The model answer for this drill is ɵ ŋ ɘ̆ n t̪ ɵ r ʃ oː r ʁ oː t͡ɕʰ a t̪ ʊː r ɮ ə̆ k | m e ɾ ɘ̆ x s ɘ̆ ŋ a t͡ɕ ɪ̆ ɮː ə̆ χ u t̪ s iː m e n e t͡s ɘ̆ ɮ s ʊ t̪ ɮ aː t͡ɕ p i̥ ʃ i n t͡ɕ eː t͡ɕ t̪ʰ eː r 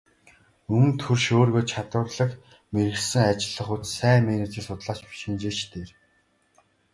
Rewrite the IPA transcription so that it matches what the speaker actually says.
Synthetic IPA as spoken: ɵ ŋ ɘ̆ n t̪ʰ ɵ r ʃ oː r ɣ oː t͡ɕʰ a t̪ ʊː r ɮ ə̆ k | m e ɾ ɘ̆ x s ɘ̆ ŋ a t͡ɕ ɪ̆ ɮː ə̆ χ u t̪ s æː m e n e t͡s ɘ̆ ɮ s ʊ t̪ ɮ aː t͡ɕ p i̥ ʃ i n t͡ɕ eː t͡ɕ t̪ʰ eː r

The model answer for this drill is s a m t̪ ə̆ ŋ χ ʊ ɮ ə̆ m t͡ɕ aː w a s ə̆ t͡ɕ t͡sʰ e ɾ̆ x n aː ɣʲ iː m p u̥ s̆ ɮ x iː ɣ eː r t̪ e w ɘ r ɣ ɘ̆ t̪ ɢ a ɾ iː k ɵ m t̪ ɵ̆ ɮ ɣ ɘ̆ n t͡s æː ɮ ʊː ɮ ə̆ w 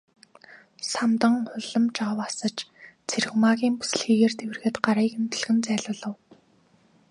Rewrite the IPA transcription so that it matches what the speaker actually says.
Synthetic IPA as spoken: s a m t̪ ə̆ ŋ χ ʊ ɮ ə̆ m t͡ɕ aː w a s ə̆ t͡ɕ t͡sʰ e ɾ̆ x m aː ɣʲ iː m p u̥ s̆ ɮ x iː ɣ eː r t̪ e w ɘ r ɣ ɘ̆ t̪ ɢ a ɾ iː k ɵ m t̪ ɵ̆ ɮ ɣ ɘ̆ n t͡s æː ɮ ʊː ɮ ə̆ w

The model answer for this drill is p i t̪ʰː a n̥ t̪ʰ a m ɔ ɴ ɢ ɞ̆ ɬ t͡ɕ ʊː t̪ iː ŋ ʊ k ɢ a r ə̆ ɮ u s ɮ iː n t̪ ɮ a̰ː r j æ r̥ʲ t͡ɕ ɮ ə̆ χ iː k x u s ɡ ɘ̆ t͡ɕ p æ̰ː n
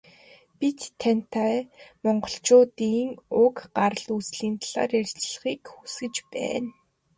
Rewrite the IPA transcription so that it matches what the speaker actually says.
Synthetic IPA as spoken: p i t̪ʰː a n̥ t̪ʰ a m ɔ ɴ ɢ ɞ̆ ɬ t͡ɕ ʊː t̪ iː ŋ ʊ k ɢ a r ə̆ ɮ u s ɮ iː n t̪ ɮ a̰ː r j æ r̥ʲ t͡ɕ ɮ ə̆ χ iː k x u s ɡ ɘ̆ t͡ɕ p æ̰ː n

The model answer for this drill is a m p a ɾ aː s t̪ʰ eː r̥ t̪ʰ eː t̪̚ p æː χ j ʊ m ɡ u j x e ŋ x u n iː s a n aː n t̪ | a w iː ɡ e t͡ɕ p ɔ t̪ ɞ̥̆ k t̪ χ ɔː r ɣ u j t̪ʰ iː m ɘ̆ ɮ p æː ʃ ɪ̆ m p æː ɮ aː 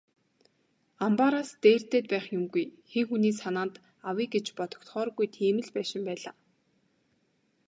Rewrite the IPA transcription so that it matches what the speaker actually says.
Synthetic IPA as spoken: a m p a ɾ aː s t̪ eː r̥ t̪ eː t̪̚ p æː χ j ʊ m ɡ u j x e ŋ x u n iː s a n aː n t̪ | a w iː ɡ e t͡ɕ p ɔ t̪ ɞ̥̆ k t̪ χ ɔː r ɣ u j t̪ʰ iː m ɘ̆ ɮ p æː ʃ ɪ̆ m p æː ɮ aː

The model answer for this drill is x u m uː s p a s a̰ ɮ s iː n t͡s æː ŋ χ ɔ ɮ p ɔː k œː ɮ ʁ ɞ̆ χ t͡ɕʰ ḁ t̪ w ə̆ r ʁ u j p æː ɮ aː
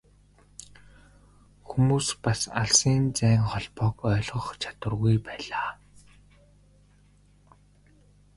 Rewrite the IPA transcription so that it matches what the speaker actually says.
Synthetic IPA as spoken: x u m uː s p a s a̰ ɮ s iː n t͡s æː ŋ χ ɔ ɮ p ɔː k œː ɮ ʁ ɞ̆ χ t͡ɕʰ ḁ t̪ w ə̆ r ɣ u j p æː ɮ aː

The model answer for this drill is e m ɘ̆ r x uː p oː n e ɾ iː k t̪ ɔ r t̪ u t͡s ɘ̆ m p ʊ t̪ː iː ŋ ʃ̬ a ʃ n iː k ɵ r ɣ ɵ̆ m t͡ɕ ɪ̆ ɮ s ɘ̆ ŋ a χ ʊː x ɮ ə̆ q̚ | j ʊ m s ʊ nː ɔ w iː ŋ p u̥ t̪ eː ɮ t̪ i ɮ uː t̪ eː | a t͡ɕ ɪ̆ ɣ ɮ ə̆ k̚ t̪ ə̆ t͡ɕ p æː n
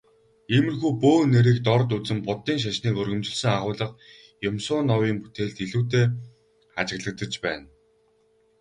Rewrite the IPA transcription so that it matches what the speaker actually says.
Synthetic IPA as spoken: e m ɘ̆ r x uː p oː n e ɾ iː k t̪ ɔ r t̪ u t͡s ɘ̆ m p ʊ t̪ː iː ŋ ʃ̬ a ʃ n iː k ɵ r ɣ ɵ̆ m t͡ɕ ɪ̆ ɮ s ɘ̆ ŋ a χ ʊː ɮ ə̆ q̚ | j ʊ m s ʊː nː ɔ w iː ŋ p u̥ t̪ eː ɮ t̪ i ɮ uː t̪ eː | a t͡ɕ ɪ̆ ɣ ɮ ə̆ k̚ t̪ ə̆ t͡ɕ p æː n

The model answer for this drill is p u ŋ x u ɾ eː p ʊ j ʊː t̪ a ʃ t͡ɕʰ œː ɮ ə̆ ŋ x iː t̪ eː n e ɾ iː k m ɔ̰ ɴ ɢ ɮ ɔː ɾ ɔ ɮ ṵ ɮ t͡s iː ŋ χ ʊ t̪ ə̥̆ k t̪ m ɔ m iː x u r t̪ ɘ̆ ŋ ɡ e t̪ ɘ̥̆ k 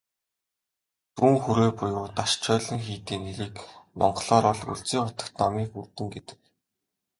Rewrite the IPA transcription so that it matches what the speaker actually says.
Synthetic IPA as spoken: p u ŋ x u ɾ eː p ʊ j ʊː t̪ a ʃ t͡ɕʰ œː ɮ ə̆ ŋ x iː t̪ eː n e ɾ iː k m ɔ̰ ɴ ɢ ɮ ɔː ɾ ɔ ɮ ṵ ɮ t͡s iː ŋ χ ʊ t̪ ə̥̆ k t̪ n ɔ m iː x u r t̪ ɘ̆ ŋ ɡ e t̪ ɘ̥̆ k

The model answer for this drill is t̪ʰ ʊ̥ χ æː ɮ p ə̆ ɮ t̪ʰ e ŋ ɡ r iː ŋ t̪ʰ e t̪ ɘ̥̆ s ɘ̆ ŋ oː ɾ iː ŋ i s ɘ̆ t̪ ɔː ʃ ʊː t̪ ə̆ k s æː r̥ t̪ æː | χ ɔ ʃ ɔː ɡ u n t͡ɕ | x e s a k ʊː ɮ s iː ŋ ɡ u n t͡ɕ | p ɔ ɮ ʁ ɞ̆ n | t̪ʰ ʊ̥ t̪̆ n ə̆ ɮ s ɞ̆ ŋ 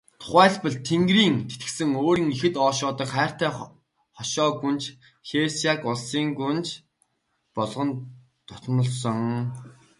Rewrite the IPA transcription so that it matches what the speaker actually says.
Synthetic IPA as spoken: t̪ʰ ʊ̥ χ æː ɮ p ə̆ ɮ t̪ʰ e ŋ ɡ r iː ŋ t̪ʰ e t̪ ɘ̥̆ s ɘ̆ ŋ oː ɾ iː ŋ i x ɘ̆ t̪ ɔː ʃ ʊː t̪ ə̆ k χ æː r̥ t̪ æː | χ ɔ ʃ ɔː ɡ u n t͡ɕ | x e s a k ʊ ɮ s iː ŋ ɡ u n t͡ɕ | p ɔ ɮ ʁ ɞ̆ n | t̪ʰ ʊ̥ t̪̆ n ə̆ ɮ s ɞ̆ ŋ

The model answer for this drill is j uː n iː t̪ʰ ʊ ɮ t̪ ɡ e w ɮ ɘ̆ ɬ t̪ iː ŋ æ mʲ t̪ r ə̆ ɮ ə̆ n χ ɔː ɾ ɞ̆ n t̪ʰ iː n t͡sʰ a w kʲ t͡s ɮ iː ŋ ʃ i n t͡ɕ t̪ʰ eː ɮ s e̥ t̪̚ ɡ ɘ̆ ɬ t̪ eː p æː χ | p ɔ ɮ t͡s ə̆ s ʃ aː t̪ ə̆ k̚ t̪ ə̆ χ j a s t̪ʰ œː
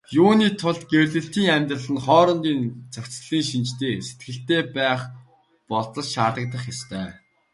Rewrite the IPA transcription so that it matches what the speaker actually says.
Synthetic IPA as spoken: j uː n iː t̪ʰ ʊ ɮ t̪ ɡ e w ɮ ɘ̆ ɬ t̪ iː ŋ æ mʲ t̪ r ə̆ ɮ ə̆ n χ ɔː ɾ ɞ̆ n t̪ iː n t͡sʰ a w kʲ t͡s ɮ iː ŋ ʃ i n t͡ɕ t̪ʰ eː s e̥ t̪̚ ɡ ɘ̆ ɬ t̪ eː p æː χ | p ɔ ɮ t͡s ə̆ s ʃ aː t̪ ə̆ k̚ t̪ ə̆ χ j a s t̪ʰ œː

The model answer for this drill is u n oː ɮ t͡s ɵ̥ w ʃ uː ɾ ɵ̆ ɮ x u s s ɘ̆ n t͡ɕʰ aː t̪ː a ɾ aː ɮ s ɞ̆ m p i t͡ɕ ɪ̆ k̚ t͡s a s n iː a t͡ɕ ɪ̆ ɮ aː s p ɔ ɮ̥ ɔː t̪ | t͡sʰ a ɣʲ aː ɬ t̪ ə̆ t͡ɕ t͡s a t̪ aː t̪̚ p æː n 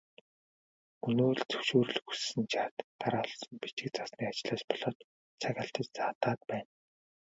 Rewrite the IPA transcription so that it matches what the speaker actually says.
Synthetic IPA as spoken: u n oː ɮ t͡s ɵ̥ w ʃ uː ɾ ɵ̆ ɮ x u s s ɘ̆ n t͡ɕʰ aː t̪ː a ɾ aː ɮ s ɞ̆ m p i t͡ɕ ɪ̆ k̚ t͡s a s n iː a t͡ɕ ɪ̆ ɮ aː s p ɔ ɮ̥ ɔː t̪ | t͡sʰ a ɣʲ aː ɬ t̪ ə̆ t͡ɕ t͡s a t̪ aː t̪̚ p æː n

